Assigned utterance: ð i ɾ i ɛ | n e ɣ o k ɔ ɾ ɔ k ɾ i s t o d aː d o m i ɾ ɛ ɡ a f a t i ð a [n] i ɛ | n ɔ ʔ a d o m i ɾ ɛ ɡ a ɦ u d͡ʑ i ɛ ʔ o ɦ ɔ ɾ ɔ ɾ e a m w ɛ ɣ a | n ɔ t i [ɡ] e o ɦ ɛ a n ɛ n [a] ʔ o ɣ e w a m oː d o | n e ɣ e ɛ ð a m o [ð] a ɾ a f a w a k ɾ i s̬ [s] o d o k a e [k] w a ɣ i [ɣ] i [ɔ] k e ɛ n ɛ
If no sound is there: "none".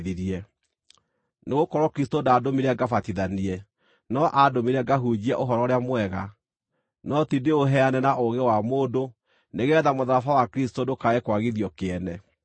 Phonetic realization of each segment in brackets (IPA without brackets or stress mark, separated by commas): n, d, a, ð, t, k, ð, ɔ